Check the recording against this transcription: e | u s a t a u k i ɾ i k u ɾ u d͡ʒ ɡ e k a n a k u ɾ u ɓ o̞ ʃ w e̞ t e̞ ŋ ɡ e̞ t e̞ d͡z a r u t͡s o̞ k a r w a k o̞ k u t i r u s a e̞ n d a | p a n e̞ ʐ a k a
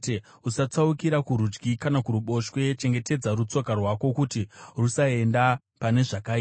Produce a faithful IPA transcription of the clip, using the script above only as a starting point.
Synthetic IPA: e | u s a t͡s a u k i ɾ a k u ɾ u d͡ʒ ɡ i k a n a k u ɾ u ɓ o̞ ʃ w e̞ t͡ʃ e̞ ŋ ɡ e̞ t e̞ d͡z a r u t͡s o̞ k a r w a k o̞ k u t i r u s a e̞ n d a | p a n e̞ ʐ a k a